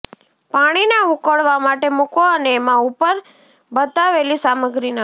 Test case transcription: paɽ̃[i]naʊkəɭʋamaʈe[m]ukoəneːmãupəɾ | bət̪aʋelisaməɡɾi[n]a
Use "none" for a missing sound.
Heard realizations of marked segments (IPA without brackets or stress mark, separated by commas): i, m, n